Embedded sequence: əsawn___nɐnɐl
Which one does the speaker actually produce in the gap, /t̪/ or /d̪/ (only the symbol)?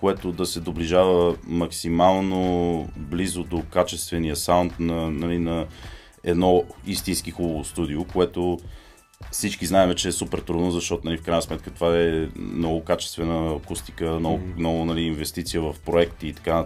t̪